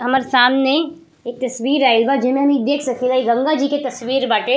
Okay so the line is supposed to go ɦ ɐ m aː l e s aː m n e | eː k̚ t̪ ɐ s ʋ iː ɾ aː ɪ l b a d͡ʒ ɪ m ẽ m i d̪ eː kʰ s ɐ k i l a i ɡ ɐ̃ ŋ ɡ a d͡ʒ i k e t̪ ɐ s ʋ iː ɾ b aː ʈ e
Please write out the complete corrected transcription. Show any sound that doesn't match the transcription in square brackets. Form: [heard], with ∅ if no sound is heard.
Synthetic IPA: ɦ ɐ m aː [ɾ] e s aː m n e | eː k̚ t̪ ɐ s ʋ iː ɾ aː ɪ l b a d͡ʒ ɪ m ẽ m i d̪ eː kʰ s ɐ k i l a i ɡ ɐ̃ ŋ ɡ a d͡ʒ i k e t̪ ɐ s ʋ iː ɾ b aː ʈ e